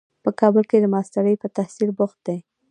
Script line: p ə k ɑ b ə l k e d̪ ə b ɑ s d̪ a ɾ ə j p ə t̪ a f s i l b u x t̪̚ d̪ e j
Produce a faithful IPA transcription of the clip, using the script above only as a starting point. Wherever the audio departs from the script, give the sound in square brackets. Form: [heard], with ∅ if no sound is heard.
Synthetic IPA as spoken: p ə k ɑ b ə l k e d̪ ə [m] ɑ s [t̪] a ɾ ə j p ə t̪ a [h] s i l b [ʊ] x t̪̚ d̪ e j